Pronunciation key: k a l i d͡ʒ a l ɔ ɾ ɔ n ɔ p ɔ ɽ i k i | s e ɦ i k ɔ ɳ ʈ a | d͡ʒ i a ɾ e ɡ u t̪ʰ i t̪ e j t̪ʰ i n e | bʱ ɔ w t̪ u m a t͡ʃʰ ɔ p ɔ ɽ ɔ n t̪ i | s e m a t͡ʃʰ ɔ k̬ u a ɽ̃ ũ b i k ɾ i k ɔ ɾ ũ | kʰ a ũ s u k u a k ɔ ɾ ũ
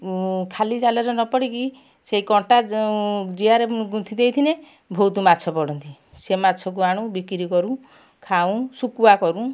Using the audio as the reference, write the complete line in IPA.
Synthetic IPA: kʰ a l i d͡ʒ a l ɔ ɾ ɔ n ɔ p ɔ ɽ i k i | s e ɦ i k ɔ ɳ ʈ a | d͡ʒ i a ɾ e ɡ u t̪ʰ i d̪ e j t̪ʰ i n e | bʱ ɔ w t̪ u m a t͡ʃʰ ɔ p ɔ ɽ ɔ n t̪ i | s e m a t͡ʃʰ ɔ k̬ u a ɽ̃ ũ b i k ɾ i k ɔ ɾ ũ | kʰ a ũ s u k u a k ɔ ɾ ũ